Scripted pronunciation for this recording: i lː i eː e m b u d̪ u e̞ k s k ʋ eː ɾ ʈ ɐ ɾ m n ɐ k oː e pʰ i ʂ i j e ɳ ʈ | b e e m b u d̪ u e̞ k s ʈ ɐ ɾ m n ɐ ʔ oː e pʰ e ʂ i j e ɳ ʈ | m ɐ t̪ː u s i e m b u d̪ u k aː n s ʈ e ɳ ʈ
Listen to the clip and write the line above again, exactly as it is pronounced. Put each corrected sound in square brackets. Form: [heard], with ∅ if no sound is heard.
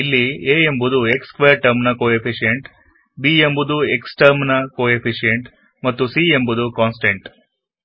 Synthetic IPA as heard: i lː i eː e m b u d̪ u e̞ k s k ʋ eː ɾ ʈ ɐ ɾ m n ɐ k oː e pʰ i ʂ i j e ɳ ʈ | b [i] e m b u d̪ u e̞ k s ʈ ɐ ɾ m n ɐ [k] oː e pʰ [i] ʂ i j e ɳ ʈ | m ɐ t̪ː u s i e m b u d̪ u k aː n s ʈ e ɳ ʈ